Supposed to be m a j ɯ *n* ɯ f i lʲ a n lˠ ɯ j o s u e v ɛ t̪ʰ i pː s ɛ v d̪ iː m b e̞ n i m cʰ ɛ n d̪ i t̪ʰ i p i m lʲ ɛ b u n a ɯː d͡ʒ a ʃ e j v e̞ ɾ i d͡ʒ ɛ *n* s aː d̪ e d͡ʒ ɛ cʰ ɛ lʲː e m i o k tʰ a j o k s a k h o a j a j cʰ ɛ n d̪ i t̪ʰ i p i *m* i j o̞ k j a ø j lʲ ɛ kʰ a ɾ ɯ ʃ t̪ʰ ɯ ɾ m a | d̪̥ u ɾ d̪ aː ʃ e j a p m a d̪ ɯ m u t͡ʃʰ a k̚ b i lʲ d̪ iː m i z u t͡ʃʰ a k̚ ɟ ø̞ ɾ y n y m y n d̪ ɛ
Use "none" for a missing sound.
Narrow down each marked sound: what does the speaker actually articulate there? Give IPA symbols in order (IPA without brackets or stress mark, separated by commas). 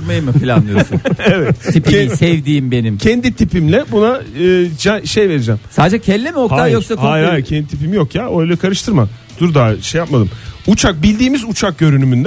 m, m, m